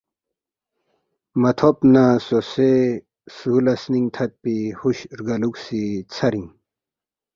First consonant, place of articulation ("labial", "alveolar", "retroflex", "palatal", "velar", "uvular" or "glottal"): labial